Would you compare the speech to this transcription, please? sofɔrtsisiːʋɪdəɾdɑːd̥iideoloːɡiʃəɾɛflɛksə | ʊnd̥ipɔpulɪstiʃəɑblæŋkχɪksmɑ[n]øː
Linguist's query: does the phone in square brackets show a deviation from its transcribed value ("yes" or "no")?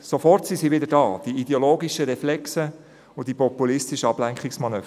no